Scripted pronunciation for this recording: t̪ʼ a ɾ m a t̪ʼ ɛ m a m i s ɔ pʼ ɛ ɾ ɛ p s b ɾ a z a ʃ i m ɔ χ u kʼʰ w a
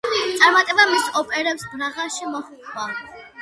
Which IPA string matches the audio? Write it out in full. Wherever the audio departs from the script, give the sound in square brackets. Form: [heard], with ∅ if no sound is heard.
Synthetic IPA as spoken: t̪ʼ a ɾ m a t̪ʼ ɛ [b] a m i s ɔ pʼ ɛ ɾ ɛ p s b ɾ a [ʁ] a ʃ i m ɔ χ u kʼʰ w a